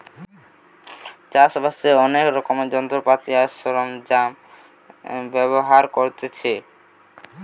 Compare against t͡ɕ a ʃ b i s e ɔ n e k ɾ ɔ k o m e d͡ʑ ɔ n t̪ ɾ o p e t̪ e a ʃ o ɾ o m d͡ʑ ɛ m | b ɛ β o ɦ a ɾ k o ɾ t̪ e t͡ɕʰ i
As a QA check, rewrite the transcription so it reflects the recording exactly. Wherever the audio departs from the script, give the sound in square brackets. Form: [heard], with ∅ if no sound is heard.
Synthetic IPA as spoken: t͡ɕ a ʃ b [a] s e ɔ n e k ɾ ɔ k o m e d͡ʑ ɔ n t̪ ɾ o p [a] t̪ [i] a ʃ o ɾ o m d͡ʑ [a] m | b ɛ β o ɦ a ɾ k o ɾ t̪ e t͡ɕʰ [e]